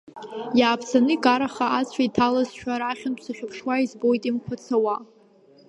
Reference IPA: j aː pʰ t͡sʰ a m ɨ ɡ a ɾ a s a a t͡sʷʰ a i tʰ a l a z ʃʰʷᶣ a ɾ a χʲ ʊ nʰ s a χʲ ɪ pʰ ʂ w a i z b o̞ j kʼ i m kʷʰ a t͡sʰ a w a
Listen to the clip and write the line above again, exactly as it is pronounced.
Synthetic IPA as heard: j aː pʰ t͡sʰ a n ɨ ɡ a ɾ a χ a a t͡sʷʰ a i tʰ a l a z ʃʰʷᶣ a ɾ a χʲ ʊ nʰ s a χʲ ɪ pʰ ʂ w a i z b o̞ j tʼ i m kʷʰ a t͡sʰ a w a